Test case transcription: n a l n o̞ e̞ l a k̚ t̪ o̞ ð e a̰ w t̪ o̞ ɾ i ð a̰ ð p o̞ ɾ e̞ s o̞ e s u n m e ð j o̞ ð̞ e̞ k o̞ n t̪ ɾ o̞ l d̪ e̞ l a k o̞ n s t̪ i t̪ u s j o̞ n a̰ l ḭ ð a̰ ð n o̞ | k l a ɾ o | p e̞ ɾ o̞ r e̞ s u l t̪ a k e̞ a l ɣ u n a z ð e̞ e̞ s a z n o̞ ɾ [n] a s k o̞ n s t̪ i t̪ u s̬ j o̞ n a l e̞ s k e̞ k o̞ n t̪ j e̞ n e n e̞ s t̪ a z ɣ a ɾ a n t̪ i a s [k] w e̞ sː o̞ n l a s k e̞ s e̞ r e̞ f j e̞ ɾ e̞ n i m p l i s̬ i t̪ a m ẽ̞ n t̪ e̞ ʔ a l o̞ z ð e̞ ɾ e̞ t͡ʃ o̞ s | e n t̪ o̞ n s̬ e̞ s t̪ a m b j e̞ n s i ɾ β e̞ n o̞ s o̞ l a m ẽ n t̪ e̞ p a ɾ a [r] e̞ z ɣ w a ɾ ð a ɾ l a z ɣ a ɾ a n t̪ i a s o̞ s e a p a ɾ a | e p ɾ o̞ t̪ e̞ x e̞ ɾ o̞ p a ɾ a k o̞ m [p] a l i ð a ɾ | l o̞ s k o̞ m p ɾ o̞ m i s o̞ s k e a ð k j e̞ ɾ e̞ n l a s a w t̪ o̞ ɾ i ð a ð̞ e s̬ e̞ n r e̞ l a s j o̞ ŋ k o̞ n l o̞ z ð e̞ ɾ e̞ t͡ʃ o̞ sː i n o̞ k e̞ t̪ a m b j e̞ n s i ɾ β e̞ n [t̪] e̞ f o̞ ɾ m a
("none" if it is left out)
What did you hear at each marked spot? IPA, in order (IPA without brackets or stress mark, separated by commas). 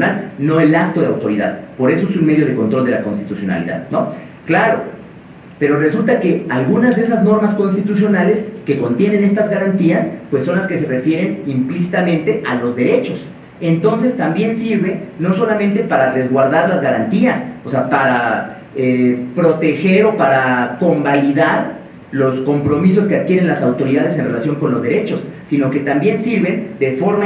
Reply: m, p, r, b, d̪